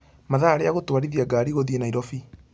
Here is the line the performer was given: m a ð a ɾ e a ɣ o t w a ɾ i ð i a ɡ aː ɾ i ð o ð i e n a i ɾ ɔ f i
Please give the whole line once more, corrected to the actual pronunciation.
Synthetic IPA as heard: m a ð a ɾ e a ɣ o t w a ɾ i ð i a ɡ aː ɾ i ɣ o ð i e n a i ɾ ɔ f i